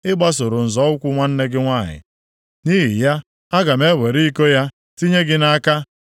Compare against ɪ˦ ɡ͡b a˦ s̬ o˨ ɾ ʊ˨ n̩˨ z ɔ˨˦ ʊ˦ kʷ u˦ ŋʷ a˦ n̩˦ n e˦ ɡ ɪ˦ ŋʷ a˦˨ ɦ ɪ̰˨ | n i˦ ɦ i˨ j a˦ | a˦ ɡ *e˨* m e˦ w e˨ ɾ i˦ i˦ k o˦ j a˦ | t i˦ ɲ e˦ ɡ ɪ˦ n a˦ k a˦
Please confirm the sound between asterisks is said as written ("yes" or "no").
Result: no